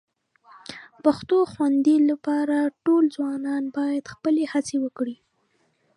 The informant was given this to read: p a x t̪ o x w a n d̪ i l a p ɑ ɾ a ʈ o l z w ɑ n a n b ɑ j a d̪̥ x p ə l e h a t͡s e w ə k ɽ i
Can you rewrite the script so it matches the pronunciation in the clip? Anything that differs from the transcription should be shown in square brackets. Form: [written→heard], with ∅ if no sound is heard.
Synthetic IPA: p a x t̪ o x w a n d̪ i l a p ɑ ɾ a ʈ o l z w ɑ n [a→ɑ] n b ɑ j a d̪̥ x p ə l e h a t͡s e w ə k ɽ i